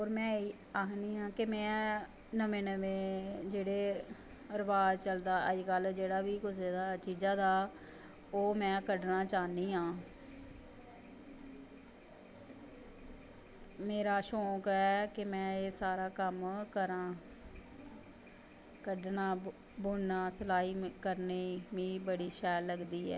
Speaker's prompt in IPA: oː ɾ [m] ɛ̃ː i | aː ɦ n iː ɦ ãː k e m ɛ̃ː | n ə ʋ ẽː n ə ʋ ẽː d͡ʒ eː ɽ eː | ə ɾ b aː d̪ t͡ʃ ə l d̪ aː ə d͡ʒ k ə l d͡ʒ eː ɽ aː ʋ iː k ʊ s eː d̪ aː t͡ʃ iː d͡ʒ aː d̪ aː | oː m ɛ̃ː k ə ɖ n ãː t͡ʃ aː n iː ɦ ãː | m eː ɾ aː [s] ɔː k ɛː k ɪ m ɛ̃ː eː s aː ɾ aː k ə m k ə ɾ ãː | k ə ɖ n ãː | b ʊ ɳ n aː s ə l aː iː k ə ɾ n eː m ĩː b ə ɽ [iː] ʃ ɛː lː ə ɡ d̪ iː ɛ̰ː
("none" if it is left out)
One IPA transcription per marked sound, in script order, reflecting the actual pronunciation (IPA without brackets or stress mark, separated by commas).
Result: m, ʃ, iː